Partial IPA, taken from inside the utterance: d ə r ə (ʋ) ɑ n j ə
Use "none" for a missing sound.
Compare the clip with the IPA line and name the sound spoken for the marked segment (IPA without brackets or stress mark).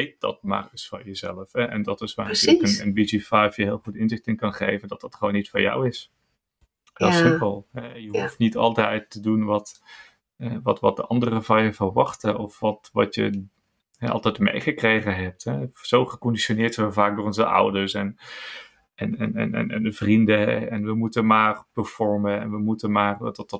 v